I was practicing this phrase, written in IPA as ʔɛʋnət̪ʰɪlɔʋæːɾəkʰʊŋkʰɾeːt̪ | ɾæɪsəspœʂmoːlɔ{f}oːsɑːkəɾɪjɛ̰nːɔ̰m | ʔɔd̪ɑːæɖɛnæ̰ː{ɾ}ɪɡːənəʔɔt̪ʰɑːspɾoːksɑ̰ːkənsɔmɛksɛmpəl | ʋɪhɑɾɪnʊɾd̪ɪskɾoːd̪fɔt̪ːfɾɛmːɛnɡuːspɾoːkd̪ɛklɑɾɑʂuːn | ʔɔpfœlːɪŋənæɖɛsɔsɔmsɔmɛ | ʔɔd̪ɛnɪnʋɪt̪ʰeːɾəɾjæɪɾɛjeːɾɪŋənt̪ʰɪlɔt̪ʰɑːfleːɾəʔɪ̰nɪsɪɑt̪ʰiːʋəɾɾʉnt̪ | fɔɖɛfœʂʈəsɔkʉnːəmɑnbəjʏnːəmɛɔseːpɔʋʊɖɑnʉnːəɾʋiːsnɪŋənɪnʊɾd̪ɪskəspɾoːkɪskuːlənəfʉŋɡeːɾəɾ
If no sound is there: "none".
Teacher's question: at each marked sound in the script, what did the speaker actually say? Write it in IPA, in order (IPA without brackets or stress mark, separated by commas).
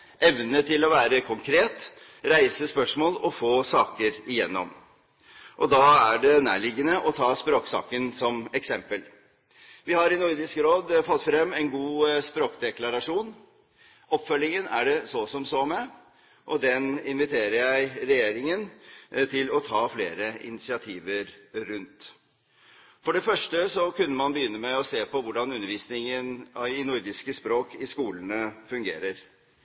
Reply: f, ɭ